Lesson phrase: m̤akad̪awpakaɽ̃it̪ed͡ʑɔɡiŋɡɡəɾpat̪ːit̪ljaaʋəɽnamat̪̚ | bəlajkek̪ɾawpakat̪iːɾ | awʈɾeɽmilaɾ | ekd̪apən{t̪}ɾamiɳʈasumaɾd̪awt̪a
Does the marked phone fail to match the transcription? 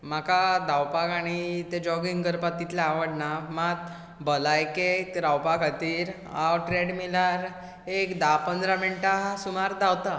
yes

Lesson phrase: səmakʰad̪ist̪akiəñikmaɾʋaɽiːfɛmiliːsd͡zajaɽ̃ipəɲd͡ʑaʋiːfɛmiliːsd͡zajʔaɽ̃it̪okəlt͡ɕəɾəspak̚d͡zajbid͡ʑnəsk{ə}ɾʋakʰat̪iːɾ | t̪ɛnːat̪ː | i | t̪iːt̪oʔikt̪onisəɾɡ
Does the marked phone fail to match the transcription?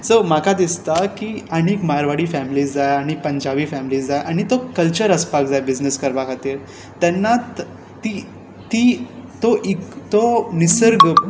no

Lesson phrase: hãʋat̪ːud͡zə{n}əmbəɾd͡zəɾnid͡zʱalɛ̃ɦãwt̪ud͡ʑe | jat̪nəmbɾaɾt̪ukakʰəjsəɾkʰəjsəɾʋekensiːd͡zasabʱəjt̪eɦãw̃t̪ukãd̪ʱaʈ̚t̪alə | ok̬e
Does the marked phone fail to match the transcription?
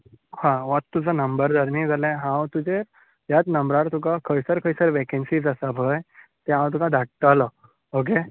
no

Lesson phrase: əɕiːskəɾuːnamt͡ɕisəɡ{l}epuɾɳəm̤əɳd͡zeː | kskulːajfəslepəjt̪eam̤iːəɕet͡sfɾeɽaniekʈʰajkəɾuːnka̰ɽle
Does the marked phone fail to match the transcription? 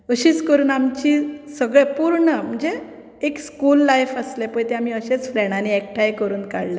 yes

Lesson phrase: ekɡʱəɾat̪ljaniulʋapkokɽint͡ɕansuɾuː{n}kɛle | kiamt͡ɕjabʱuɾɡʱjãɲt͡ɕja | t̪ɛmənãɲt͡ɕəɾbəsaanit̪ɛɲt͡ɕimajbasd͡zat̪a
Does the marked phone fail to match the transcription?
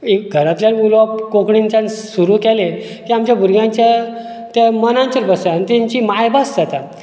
yes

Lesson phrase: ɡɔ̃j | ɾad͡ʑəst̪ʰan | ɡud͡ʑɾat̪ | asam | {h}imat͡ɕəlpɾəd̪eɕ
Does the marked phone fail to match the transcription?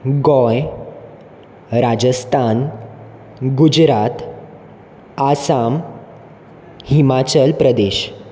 no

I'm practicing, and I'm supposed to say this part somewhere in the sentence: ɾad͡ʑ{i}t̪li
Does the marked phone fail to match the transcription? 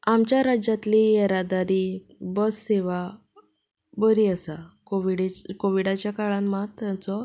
yes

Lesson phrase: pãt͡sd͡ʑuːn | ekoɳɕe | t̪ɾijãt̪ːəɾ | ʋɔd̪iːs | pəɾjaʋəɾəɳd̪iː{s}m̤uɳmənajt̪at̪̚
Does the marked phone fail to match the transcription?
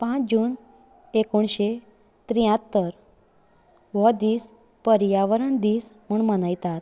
no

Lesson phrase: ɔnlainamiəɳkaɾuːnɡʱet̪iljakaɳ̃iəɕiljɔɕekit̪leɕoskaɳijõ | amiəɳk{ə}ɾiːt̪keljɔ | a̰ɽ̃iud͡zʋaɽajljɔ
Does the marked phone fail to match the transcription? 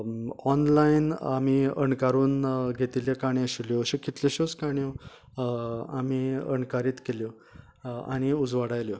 yes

